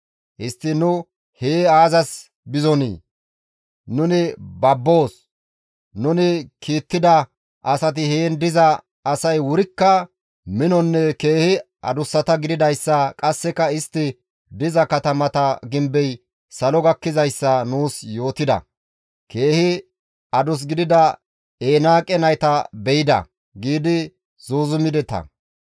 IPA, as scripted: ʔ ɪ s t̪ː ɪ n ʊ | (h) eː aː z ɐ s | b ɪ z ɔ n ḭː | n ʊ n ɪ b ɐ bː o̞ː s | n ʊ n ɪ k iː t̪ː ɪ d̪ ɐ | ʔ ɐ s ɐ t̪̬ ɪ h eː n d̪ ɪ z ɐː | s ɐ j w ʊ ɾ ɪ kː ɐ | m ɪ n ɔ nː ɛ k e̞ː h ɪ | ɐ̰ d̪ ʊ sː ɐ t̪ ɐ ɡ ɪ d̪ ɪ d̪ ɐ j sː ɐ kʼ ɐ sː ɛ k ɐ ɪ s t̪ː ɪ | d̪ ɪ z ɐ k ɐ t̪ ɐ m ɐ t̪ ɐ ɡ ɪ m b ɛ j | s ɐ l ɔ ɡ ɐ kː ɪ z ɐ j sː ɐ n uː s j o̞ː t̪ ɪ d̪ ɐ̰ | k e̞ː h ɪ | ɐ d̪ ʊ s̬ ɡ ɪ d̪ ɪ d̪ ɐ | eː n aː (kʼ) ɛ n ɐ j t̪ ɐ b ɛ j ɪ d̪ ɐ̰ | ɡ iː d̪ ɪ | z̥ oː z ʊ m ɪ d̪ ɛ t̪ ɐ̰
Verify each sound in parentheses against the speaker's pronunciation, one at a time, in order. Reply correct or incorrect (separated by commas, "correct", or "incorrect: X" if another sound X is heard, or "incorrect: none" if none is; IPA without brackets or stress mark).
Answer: correct, correct